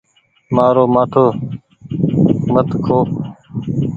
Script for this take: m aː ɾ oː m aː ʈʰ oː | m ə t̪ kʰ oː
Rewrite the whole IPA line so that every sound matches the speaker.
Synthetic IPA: m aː ɾ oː m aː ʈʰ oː | m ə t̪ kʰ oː